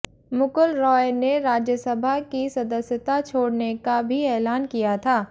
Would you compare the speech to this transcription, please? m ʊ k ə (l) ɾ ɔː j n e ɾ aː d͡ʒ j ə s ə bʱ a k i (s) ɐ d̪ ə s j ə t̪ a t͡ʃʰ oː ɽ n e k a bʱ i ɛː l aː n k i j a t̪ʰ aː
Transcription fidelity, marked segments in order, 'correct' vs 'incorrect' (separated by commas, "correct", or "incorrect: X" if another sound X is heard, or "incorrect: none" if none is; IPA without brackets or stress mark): correct, correct